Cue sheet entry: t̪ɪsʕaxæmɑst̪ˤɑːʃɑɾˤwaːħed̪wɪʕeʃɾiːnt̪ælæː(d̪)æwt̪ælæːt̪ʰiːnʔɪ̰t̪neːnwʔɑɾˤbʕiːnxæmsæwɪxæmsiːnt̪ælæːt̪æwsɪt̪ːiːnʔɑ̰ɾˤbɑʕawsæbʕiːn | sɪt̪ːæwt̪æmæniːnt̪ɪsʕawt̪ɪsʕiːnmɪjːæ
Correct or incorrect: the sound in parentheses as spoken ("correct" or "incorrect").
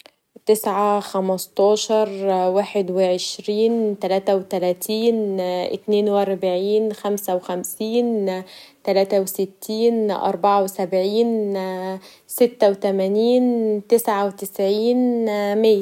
incorrect